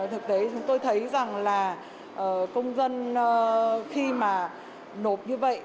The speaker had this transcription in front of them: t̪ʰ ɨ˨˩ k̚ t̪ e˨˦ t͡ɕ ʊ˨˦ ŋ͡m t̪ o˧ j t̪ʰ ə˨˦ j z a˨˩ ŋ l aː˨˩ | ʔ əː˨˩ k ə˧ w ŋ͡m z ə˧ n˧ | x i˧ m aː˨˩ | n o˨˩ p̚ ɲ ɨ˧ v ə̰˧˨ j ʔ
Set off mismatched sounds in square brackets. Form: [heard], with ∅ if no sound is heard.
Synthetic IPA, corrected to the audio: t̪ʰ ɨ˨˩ k̚ t̪ e˨˦ t͡ɕ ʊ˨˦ ŋ͡m t̪ o˧ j t̪ʰ ə˨˦ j z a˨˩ ŋ l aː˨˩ | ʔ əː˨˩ k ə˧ w ŋ͡m z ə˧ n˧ | x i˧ m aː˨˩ | n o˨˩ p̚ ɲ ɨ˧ v ə̰˧˨ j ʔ